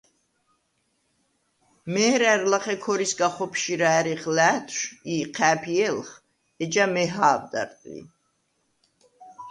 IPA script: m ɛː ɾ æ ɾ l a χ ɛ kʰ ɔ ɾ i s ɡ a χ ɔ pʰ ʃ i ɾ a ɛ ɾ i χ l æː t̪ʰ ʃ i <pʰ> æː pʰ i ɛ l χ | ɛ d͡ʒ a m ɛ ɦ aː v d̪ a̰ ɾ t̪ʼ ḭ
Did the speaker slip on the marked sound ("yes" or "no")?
yes